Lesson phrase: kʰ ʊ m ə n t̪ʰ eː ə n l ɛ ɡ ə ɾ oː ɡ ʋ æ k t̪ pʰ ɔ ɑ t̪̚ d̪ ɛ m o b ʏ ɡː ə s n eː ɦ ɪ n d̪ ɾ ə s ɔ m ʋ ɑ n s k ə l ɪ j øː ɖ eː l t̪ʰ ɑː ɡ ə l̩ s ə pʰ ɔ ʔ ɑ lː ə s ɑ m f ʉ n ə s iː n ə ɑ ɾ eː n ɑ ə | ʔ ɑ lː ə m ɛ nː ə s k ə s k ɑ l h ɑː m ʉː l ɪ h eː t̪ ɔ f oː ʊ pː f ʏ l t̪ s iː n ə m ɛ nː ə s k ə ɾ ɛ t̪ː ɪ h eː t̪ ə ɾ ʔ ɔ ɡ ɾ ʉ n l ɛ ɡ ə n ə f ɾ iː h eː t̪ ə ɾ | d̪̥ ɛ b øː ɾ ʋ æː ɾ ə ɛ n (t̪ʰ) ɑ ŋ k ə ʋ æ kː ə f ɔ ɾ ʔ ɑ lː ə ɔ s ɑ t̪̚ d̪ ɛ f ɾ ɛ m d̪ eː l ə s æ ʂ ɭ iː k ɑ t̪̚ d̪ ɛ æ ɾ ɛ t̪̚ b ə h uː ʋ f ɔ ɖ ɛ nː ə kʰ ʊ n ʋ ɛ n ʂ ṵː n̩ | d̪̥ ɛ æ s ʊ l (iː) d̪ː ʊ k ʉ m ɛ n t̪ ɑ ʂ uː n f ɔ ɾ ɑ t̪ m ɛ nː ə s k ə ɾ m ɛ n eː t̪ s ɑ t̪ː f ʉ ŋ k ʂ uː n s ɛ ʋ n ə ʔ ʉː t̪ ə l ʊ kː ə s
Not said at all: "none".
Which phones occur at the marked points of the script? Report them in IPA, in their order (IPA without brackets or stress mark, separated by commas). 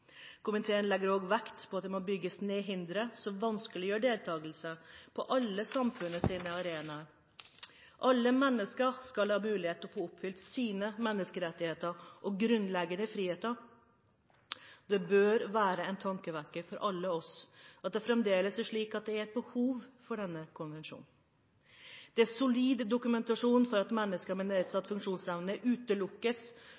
t̪ʰ, iː